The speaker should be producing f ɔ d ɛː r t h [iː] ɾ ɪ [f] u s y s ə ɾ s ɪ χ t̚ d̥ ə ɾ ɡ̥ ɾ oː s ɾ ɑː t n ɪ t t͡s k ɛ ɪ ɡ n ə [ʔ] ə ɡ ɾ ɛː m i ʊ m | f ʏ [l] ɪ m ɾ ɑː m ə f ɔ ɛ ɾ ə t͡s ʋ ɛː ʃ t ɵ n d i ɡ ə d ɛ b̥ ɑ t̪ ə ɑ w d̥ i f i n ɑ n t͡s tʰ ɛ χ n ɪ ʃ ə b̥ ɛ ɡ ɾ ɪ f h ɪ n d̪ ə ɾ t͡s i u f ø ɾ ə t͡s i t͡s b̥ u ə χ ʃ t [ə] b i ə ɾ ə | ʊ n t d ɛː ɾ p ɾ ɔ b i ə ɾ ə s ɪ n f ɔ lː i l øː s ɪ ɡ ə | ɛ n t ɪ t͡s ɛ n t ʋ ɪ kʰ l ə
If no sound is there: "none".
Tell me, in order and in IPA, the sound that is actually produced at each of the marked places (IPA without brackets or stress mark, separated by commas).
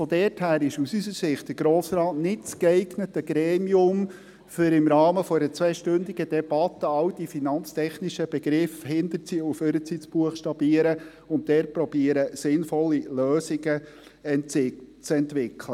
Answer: æː, ʃ, t, ɾ, ɑ